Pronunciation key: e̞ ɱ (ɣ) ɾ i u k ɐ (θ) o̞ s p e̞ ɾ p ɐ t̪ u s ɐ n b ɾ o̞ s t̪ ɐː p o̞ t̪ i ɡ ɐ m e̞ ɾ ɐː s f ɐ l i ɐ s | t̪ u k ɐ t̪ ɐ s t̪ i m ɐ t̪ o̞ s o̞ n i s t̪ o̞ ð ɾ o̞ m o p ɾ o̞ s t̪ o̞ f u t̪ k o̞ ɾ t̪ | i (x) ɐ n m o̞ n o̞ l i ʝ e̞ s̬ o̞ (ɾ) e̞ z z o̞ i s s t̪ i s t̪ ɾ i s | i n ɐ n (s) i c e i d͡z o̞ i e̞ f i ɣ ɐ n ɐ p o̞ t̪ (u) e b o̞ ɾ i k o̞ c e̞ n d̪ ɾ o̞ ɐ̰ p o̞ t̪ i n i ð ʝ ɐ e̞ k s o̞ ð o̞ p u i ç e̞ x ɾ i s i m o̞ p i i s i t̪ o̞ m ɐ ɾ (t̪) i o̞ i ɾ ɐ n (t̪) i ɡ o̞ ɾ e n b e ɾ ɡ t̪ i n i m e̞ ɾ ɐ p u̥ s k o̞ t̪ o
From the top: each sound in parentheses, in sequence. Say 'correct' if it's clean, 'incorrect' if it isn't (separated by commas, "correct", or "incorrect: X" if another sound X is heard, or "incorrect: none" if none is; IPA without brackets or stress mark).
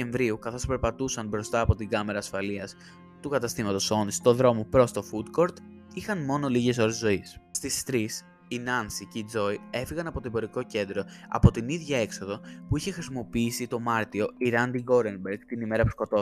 incorrect: v, correct, correct, correct, correct, incorrect: o, correct, incorrect: d̪